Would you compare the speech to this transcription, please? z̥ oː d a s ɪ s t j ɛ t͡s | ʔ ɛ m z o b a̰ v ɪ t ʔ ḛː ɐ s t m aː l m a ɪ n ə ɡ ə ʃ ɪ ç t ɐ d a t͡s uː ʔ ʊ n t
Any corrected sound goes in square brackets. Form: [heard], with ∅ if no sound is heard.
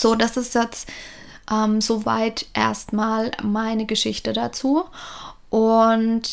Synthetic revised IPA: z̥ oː d a s ɪ s t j ɛ t͡s | ʔ ɛ m z o [v] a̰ [∅] ɪ t ʔ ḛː ɐ s t m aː l m a ɪ n ə ɡ ə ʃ ɪ ç t [ə] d a t͡s uː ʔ ʊ n t